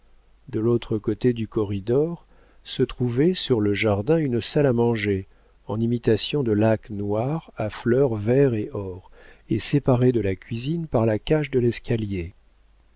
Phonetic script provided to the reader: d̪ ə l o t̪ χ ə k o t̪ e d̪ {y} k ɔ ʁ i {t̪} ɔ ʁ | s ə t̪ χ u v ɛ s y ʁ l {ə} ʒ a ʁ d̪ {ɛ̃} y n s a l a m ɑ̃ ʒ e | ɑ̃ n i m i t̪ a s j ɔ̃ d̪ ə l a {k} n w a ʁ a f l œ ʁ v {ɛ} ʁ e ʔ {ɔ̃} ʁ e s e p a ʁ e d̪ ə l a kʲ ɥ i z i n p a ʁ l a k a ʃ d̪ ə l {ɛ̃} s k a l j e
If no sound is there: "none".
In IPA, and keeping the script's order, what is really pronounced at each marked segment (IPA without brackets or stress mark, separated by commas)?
y, d̪, ə, ɛ̃, k, ɛ, ɔ, ɛ